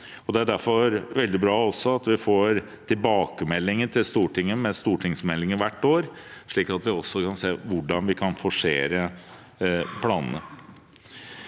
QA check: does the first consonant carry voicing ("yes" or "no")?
yes